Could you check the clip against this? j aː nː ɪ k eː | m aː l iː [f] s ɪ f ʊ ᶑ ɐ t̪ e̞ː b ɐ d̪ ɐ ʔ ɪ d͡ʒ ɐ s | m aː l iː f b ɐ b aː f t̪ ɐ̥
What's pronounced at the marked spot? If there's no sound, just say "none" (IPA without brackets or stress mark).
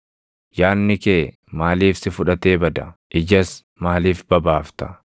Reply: f